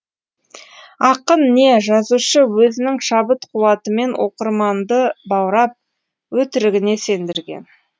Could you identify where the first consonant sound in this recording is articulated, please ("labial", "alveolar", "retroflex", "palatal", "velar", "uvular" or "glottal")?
uvular